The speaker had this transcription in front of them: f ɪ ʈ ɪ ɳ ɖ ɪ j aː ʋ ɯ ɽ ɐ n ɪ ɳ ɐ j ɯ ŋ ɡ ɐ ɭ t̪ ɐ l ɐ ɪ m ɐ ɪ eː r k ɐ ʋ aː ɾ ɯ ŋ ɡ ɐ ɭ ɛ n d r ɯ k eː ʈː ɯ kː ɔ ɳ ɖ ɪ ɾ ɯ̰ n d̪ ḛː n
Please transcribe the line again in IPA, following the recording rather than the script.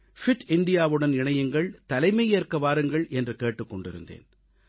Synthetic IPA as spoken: f ɪ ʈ ɪ ɳ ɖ ɪ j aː ʋ ɯ ɽ ɐ n ɪ ɳ ɐ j ɯ ŋ ɡ ɐ ɭ t̪ ɐ l ɐ ɪ m ɐ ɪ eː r k ɐ ʋ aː ɾ ɯ ŋ ɡ ɐ ɭ ɛ n d r ɯ k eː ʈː ɯ kː ɔ ɳ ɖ ɪ ɾ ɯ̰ n d̪ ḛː n

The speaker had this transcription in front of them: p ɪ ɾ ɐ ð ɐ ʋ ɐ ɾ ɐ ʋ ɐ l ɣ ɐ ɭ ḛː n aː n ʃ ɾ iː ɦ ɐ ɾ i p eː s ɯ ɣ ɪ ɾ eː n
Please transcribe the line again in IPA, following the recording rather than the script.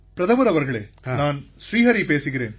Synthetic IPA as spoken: p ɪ ɾ ɐ ð ɐ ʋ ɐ ɾ ɐ ʋ ɐ ɾ ɣ ɐ ɭ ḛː n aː n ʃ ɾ iː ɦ ɐ ɾ i p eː s ɯ ɣ ɪ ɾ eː n

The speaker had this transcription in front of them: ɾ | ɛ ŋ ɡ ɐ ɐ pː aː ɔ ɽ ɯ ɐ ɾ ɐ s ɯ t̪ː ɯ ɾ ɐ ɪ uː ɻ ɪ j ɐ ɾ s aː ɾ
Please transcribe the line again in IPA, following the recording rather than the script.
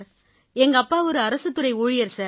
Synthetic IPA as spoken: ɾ | ɛ ŋ ɡ ɐ ɐ pː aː ɔ ɾ ɯ ɐ ɾ ɐ s ɯ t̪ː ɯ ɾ ɐ ɪ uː ɻ ɪ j ɐ ɾ s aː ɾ

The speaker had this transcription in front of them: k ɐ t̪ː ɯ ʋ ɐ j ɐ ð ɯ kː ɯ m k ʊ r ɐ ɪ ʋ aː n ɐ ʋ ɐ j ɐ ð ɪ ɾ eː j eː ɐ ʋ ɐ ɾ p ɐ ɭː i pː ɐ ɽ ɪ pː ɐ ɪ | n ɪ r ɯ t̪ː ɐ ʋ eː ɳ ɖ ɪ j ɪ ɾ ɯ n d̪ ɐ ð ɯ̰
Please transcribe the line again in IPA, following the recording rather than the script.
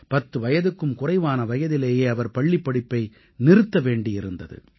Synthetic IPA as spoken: p ɐ t̪ː ɯ ʋ ɐ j ɐ ð ɯ kː ɯ m k ʊ r ɐ ɪ ʋ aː n ɐ ʋ ɐ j ɐ ð ɪ l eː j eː ɐ ʋ ɐ ɾ p ɐ ɭː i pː ɐ ɽ ɪ pː ɐ ɪ | n ɪ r ɯ t̪ː ɐ ʋ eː ɳ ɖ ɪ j ɪ ɾ ɯ n d̪ ɐ ð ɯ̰

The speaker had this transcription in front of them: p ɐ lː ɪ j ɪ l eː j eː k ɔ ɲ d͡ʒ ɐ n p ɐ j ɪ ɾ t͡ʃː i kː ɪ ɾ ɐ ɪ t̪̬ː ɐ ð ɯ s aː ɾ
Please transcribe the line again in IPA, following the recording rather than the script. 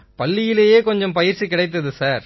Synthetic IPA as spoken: p ɐ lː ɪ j ɪ l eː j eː k ɔ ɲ d͡ʒ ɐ m p ɐ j ɪ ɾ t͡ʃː i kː ɪ ɽ ɐ ɪ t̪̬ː ɐ ð ɯ s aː ɾ

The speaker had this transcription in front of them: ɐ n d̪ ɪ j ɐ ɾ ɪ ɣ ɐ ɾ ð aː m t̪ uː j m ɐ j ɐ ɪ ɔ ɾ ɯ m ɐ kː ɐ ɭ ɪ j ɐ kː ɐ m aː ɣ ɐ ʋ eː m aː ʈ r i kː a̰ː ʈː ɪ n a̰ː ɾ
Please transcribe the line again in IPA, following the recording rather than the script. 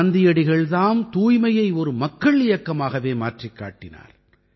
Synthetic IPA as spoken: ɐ n d̪ ɪ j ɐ ɽ ɪ ɣ ɐ ɭ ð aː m t̪ uː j m ɐ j ɐ ɪ ɔ ɾ ɯ m ɐ kː ɐ ɭ ɪ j ɐ kː ɐ m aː ɣ ɐ ʋ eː m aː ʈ r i kː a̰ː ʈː ɪ n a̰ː ɾ

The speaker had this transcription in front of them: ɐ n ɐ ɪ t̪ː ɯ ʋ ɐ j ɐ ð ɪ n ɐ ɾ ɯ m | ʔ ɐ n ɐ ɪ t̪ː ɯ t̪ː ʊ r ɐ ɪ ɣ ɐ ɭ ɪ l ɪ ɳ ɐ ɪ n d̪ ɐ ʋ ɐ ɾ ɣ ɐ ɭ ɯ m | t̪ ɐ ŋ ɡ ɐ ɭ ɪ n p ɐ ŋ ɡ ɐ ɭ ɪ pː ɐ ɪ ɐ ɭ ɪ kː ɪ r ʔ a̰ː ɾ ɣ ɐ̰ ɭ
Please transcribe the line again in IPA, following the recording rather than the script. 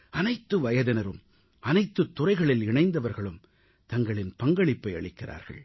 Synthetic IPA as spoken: ɐ n ɐ ɪ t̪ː ɯ ʋ ɐ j ɐ ð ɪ n ɐ ɾ ɯ m | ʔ ɐ n ɐ ɪ t̪ː ɯ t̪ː ʊ r ɐ ɪ ɣ ɐ ɭ ɪ l ɪ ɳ ɐ ɪ n d̪ ɐ ʋ ɐ ɾ ɣ ɐ ɭ ɯ m | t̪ ɐ ŋ ɡ ɐ ɭ ɪ n p ɐ ŋ ɡ ɐ ɭ ɪ pː ɐ ɪ ɐ ɭ ɪ kː ɪ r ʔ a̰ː ɾ ɣ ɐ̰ ɭ

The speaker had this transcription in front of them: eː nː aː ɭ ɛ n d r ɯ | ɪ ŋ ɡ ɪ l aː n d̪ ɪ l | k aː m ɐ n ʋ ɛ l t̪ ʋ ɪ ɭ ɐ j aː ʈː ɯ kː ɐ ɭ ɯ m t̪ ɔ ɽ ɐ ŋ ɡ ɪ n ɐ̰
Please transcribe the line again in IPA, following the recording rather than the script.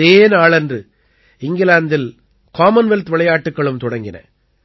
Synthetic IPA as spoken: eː n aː ɭ ɛ n d r ɯ | ɪ ŋ ɡ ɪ l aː n d̪ ɪ l | k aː m ɐ n ʋ ɛ l t̪ ʋ ɪ ɭ ɐ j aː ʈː ɯ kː ɐ ɭ ɯ m t̪ ɔ ɽ ɐ ŋ ɡ ɪ n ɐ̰

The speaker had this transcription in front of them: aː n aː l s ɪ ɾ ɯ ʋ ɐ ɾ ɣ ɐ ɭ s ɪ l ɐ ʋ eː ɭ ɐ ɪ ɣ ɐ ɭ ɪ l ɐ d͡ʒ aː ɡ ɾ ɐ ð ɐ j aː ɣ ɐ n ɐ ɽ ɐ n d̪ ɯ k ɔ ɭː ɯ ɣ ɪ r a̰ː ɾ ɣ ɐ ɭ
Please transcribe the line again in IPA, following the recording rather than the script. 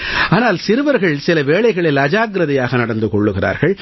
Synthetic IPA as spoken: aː n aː l s ɪ ɾ ɯ ʋ ɐ ɾ ɣ ɐ ɭ s ɪ l ɐ ʋ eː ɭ ɐ ɪ ɣ ɐ ɭ ɪ l ɐ d͡ʒ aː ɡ ɾ ɐ ð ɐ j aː ɣ ɐ n ɐ ɽ ɐ n d̪ ɯ k ɔ ɭː ɯ ɣ ɪ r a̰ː ɾ ɣ ɐ ɭ

